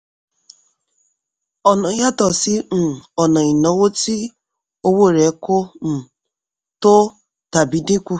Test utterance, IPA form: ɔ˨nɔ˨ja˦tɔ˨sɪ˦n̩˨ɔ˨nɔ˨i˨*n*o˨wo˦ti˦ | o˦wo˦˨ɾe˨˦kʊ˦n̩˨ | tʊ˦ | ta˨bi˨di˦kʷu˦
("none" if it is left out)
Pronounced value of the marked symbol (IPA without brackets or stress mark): n